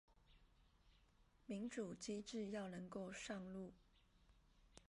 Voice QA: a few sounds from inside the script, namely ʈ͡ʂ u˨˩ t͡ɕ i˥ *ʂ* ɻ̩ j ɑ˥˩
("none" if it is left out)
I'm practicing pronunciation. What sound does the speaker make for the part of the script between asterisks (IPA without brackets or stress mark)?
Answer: ʈ͡ʂ